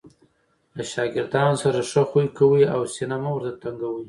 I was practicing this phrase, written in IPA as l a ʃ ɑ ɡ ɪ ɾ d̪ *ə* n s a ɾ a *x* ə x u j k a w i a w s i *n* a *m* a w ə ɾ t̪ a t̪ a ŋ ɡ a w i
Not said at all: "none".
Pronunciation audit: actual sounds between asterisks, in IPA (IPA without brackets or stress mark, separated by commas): ɑ, ʂ, n, m